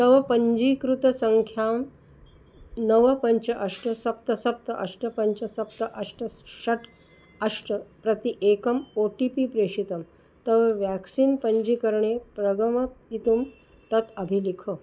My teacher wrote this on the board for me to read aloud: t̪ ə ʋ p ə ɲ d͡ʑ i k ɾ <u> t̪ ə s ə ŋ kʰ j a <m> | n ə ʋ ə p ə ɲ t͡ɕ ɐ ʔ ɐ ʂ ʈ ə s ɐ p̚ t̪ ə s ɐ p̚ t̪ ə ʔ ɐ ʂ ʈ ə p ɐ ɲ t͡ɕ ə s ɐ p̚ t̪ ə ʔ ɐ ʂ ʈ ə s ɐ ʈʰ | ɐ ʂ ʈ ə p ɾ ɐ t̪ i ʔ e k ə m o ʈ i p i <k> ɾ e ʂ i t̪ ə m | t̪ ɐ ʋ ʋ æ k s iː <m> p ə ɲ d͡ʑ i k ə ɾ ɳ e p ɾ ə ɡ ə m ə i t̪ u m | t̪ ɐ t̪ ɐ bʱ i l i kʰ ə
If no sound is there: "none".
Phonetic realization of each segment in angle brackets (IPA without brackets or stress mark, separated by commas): u, m, p, n